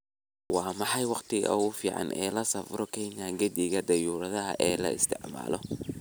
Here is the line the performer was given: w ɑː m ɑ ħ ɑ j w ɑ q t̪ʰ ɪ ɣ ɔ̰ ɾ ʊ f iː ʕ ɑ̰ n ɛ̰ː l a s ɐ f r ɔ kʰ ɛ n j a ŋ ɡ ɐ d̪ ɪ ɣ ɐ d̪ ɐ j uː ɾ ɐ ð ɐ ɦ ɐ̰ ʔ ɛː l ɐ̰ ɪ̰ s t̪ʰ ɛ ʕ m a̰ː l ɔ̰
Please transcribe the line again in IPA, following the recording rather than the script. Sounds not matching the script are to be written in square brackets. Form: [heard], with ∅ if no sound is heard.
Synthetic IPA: w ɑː m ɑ ħ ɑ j w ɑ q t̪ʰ ɪ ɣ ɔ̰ [∅] ʊ f iː ʕ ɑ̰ n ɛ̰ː l [ɐ] s ɐ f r ɔ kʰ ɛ n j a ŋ ɡ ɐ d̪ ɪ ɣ ɐ d̪ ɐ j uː ɾ ɐ ð ɐ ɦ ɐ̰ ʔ ɛː l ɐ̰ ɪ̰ s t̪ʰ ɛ ʕ m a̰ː l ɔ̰